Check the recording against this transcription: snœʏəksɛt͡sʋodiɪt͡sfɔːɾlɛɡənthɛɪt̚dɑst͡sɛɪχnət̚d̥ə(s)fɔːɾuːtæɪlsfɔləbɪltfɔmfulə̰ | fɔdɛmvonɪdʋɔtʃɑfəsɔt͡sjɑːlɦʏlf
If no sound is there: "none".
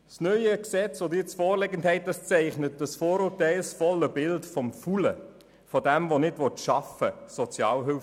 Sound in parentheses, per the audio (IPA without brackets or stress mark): s